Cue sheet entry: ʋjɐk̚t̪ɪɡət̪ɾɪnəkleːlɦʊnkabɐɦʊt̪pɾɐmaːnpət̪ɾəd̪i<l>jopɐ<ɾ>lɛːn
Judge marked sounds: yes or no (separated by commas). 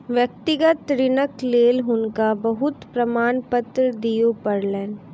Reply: no, yes